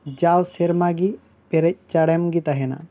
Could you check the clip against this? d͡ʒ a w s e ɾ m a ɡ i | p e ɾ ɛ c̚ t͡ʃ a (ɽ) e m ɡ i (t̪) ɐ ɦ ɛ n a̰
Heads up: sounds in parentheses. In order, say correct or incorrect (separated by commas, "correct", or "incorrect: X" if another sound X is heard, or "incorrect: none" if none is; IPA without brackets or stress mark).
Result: correct, correct